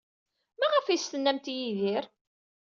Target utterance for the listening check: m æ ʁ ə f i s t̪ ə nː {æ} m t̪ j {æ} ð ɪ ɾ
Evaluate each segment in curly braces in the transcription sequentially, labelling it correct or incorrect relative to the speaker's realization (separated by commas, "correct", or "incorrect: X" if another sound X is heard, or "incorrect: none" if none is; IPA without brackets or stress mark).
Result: correct, incorrect: i